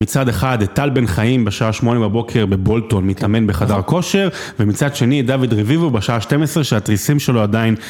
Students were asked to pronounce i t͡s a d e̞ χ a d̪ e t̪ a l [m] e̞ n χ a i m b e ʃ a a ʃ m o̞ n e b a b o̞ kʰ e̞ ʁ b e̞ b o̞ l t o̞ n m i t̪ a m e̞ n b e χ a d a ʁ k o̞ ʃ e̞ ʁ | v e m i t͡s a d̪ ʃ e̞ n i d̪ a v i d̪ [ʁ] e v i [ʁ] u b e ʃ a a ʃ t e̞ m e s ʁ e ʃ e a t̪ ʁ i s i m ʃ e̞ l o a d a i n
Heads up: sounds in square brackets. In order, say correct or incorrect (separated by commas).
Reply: incorrect, correct, incorrect